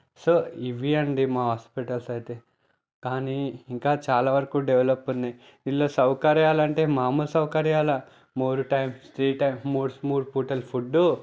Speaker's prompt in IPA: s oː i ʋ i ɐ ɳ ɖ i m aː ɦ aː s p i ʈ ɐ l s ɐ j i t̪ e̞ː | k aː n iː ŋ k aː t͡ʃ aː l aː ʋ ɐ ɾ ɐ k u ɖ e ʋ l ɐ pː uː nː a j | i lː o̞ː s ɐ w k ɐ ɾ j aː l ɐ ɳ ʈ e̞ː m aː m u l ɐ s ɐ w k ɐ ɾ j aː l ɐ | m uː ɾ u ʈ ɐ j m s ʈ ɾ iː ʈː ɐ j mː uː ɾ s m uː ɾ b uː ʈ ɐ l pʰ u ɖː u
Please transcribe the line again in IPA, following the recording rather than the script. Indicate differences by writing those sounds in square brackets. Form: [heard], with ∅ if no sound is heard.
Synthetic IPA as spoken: s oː i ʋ i ɐ ɳ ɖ i m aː ɦ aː s p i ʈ ɐ l s ɐ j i t̪ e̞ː | k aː n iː ŋ k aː t͡ʃ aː l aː ʋ ɐ ɾ ɐ k u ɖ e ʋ l ɐ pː [u] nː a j | i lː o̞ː s ɐ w k ɐ ɾ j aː l ɐ ɳ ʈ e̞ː m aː m u l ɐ s ɐ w k ɐ ɾ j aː l ɐ | m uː ɾ u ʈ ɐ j m s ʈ ɾ iː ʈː ɐ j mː uː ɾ s m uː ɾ [p] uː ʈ ɐ l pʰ u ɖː u